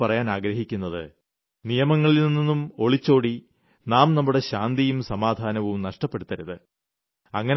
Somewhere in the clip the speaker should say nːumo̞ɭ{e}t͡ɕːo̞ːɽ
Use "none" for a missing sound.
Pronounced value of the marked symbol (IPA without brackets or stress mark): i